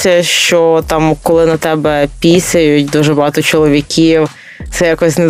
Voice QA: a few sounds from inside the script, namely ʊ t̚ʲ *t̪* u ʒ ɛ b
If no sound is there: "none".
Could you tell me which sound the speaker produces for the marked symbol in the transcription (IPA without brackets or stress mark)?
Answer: d̪